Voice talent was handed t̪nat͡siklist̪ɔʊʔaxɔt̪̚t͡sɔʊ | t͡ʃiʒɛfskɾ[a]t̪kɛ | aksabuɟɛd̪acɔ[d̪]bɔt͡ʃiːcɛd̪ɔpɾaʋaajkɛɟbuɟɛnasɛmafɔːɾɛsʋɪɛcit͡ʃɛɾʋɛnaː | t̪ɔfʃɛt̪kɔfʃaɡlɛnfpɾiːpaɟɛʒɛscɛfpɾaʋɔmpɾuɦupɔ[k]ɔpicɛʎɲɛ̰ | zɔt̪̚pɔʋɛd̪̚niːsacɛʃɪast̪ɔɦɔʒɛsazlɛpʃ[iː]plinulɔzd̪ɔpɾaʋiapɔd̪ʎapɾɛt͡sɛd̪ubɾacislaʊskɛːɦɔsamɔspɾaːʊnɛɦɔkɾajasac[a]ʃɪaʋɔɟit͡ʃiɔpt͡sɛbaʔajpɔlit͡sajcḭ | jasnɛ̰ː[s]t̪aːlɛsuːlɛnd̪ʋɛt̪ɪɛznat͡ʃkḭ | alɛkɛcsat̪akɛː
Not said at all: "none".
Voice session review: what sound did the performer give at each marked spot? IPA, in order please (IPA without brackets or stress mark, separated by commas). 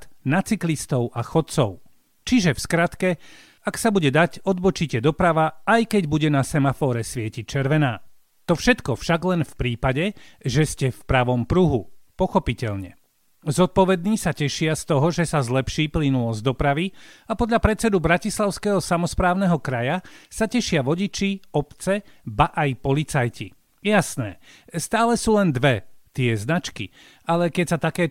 a, d̪, x, iː, ɛ, s